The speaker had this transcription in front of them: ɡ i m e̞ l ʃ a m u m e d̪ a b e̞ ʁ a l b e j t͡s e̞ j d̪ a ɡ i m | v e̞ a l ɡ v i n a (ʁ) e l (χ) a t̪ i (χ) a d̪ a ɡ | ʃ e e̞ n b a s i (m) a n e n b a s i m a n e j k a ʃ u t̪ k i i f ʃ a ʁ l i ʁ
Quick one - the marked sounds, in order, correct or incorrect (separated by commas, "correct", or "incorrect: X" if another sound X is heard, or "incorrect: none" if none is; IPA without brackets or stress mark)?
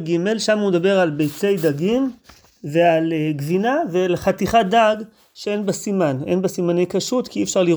incorrect: v, correct, correct, correct